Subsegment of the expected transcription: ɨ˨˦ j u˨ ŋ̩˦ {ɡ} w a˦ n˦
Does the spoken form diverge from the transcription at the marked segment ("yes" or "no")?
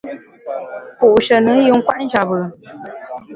yes